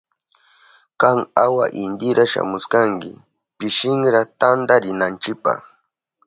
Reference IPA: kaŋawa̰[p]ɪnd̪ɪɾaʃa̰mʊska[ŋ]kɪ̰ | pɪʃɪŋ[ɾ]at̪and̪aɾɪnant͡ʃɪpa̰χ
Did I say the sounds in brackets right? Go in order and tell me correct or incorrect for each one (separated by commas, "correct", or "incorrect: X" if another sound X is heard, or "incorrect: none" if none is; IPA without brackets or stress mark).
incorrect: ʔ, correct, correct